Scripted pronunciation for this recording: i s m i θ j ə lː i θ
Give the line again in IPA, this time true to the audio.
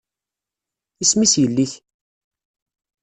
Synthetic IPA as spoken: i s m i s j ə lː i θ